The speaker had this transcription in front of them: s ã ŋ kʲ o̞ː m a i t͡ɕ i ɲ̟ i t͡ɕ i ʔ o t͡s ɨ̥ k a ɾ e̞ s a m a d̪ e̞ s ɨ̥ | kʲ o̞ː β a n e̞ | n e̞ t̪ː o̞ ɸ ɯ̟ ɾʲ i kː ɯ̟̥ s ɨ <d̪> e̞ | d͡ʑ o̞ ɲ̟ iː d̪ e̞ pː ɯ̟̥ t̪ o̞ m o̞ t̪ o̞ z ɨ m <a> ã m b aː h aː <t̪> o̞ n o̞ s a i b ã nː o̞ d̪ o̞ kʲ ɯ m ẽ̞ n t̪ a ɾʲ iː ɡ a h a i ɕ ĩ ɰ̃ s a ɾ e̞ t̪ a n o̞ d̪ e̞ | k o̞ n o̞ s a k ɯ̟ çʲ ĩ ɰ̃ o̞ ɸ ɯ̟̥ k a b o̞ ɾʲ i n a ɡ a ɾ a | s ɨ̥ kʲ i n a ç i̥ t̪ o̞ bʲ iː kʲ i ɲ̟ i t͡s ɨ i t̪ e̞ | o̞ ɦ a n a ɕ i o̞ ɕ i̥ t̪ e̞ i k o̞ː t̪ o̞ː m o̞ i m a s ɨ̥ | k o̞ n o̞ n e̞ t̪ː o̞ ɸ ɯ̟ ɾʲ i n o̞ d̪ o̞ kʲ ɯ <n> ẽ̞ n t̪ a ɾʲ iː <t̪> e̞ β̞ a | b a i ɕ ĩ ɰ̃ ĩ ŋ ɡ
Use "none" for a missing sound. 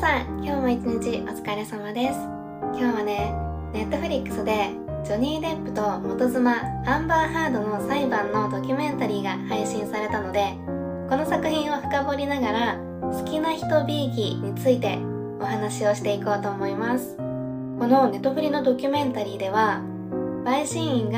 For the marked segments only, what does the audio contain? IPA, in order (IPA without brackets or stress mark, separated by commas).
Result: d̪, a, d̪, m, d̪